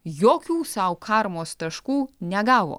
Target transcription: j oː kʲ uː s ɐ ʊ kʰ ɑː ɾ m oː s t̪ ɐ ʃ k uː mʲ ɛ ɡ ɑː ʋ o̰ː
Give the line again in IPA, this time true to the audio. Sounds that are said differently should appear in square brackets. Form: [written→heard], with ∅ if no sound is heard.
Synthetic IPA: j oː kʲ uː s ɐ ʊ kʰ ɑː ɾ m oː s t̪ ɐ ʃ k uː [mʲ→nʲ] ɛ ɡ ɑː ʋ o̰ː

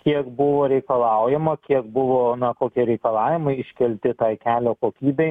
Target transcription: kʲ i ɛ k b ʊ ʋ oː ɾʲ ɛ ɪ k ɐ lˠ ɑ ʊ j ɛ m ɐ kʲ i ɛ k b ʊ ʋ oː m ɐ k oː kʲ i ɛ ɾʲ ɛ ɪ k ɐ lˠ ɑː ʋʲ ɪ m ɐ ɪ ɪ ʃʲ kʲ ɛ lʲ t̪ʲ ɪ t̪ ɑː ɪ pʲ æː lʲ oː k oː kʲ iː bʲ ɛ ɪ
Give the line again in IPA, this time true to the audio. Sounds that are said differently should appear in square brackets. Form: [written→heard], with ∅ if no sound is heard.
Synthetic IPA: kʲ i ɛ k b ʊ ʋ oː ɾʲ ɛ ɪ k ɐ lˠ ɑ ʊ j ɛ m ɐ kʲ i ɛ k b ʊ ʋ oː [m→n] ɐ k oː kʲ i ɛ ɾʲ ɛ ɪ k ɐ lˠ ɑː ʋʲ ɪ m ɐ ɪ ɪ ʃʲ kʲ ɛ lʲ t̪ʲ ɪ t̪ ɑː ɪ [pʲ→kʲ] æː lʲ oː k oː kʲ iː bʲ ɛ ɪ

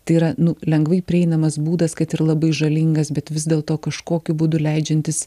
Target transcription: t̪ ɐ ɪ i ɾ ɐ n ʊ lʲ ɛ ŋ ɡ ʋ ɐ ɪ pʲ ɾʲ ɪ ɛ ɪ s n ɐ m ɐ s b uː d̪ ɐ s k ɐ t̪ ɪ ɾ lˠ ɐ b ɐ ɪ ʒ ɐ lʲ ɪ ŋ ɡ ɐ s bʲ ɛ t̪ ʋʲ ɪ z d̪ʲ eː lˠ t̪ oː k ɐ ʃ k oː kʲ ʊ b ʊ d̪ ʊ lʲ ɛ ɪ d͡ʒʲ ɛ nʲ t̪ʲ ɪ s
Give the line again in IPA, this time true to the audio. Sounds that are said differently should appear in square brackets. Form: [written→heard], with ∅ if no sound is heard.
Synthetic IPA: t̪ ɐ ɪ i ɾ ɐ n ʊ lʲ ɛ ŋ ɡ ʋ ɐ ɪ pʲ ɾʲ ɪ ɛ ɪ [s→∅] n ɐ m ɐ s b uː d̪ ɐ s k ɐ t̪ ɪ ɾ lˠ ɐ b ɐ ɪ ʒ ɐ lʲ ɪ ŋ ɡ ɐ s bʲ ɛ t̪ ʋʲ ɪ z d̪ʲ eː lˠ t̪ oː k ɐ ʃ k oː kʲ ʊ b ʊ d̪ ʊ lʲ ɛ ɪ d͡ʒʲ ɛ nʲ t̪ʲ ɪ s

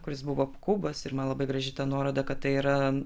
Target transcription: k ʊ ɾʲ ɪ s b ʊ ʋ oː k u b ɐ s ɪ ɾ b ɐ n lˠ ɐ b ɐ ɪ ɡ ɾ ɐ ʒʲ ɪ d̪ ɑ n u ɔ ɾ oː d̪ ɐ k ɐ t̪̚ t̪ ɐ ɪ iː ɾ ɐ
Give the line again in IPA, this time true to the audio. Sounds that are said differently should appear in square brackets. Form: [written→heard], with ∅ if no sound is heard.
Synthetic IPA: k ʊ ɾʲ ɪ s b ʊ ʋ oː k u b ɐ s ɪ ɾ [b→m] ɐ n lˠ ɐ b ɐ ɪ ɡ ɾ ɐ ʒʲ ɪ [d̪→t̪] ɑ n u ɔ ɾ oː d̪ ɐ k ɐ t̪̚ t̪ ɐ ɪ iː ɾ ɐ

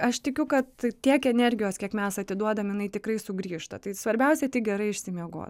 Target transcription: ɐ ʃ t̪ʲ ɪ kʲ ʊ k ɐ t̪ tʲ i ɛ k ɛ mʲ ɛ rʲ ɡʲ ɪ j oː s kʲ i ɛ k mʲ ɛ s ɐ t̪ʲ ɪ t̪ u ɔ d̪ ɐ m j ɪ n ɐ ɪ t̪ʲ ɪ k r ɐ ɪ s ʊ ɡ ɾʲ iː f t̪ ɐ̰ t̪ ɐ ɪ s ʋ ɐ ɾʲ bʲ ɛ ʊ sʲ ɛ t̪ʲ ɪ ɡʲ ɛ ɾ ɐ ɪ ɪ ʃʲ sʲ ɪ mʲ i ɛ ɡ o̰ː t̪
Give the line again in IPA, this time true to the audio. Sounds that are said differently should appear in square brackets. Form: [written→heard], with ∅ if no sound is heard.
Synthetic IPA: ɐ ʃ t̪ʲ ɪ kʲ ʊ k ɐ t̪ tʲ i ɛ k ɛ [mʲ→nʲ] ɛ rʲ ɡʲ ɪ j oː s kʲ i ɛ k mʲ ɛ s ɐ t̪ʲ ɪ [t̪→d̪] u ɔ d̪ ɐ m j ɪ n ɐ ɪ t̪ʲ ɪ k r ɐ ɪ s ʊ ɡ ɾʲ iː [f→ʃ] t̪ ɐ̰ t̪ ɐ ɪ s ʋ ɐ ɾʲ bʲ ɛ ʊ sʲ ɛ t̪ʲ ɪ ɡʲ ɛ ɾ ɐ ɪ ɪ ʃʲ sʲ ɪ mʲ i ɛ ɡ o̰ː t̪

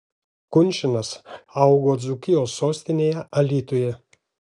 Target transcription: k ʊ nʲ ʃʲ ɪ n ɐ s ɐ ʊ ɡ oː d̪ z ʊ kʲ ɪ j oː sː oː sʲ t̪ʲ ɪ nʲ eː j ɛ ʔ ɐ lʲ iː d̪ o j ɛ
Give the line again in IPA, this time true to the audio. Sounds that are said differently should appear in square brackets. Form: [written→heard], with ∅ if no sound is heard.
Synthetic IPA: k ʊ nʲ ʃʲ ɪ n ɐ s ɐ ʊ ɡ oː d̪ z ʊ kʲ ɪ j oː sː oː sʲ t̪ʲ ɪ nʲ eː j ɛ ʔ ɐ lʲ iː [d̪→t̪] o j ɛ

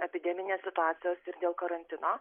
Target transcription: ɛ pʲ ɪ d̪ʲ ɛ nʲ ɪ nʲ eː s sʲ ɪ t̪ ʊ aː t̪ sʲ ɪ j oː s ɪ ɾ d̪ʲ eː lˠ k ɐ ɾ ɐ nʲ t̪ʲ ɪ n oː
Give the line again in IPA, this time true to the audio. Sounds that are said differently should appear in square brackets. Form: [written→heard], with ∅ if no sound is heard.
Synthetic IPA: ɛ pʲ ɪ d̪ʲ ɛ [nʲ→mʲ] ɪ nʲ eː s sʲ ɪ t̪ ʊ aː t̪ sʲ ɪ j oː s ɪ ɾ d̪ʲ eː lˠ k ɐ ɾ ɐ nʲ t̪ʲ ɪ n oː

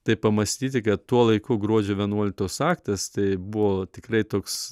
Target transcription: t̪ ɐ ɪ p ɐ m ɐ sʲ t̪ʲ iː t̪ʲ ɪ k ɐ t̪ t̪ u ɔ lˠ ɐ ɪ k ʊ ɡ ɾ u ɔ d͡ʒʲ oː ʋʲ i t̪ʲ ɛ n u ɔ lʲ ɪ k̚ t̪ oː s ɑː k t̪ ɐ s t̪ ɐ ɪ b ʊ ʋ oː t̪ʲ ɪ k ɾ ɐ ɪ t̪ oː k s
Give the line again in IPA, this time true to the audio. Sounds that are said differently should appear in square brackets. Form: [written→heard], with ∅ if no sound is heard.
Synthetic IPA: t̪ ɐ ɪ p ɐ m ɐ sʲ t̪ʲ iː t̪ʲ ɪ k ɐ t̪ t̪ u ɔ lˠ ɐ ɪ k ʊ ɡ ɾ u ɔ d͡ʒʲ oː ʋʲ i [t̪ʲ→∅] ɛ n u ɔ lʲ ɪ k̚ t̪ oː s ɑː k t̪ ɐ s t̪ ɐ ɪ b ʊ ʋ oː t̪ʲ ɪ k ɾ ɐ ɪ t̪ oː k s

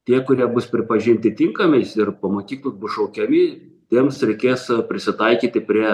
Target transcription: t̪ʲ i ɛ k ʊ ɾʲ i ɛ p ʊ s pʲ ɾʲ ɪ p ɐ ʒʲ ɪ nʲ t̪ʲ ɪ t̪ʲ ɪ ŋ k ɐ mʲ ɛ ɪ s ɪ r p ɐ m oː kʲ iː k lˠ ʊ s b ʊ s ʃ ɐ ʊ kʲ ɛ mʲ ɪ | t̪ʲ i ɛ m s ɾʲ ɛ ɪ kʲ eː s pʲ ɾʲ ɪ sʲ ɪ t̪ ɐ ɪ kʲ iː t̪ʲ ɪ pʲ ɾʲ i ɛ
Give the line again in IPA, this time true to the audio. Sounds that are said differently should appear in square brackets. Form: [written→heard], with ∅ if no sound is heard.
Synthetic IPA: t̪ʲ i ɛ k ʊ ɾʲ i ɛ [p→b] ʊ s pʲ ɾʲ ɪ p ɐ ʒʲ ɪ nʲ t̪ʲ ɪ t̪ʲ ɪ ŋ k ɐ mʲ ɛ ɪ s ɪ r p ɐ m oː kʲ iː k lˠ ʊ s b ʊ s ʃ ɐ ʊ kʲ ɛ mʲ ɪ | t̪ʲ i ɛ m s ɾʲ ɛ ɪ kʲ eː s pʲ ɾʲ ɪ sʲ ɪ t̪ ɐ ɪ kʲ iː t̪ʲ ɪ pʲ ɾʲ i ɛ

